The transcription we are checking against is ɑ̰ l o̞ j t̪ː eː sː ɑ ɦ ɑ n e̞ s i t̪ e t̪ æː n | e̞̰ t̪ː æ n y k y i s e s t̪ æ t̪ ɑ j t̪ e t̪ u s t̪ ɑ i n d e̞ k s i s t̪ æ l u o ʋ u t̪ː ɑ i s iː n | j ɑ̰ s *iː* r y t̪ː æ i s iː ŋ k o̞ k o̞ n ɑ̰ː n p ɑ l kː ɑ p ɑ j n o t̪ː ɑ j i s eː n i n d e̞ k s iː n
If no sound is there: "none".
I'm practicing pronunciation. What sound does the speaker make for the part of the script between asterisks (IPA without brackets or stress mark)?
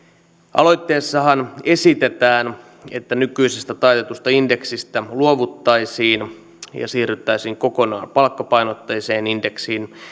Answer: iː